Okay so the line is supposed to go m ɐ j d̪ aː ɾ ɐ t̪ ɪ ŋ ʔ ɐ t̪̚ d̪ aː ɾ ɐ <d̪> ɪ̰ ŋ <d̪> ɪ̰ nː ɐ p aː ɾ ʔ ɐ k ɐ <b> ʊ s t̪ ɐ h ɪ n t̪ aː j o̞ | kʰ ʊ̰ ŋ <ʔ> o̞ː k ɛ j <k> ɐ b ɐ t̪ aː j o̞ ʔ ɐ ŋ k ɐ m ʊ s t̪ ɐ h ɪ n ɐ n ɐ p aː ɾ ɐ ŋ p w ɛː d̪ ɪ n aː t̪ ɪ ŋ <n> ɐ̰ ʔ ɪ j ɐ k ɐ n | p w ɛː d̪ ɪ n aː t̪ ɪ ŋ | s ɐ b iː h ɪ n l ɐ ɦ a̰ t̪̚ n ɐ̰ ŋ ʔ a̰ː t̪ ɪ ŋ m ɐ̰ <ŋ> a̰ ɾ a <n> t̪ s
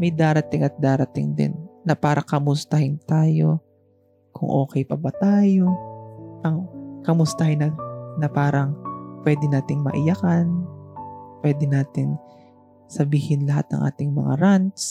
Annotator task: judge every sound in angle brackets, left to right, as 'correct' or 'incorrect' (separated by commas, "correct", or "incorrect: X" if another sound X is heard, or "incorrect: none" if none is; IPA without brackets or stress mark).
incorrect: t̪, correct, incorrect: m, correct, incorrect: p, incorrect: m, correct, correct